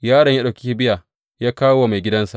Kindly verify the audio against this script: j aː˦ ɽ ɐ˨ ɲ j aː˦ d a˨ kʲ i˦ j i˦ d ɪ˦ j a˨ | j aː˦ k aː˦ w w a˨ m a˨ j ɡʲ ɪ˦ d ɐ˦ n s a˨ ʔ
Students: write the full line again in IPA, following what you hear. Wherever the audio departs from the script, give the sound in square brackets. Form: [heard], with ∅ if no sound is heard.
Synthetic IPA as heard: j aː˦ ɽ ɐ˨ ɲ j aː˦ [ɗ] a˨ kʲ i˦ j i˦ [b] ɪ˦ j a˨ | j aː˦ k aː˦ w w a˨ m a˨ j ɡʲ ɪ˦ d ɐ˦ n s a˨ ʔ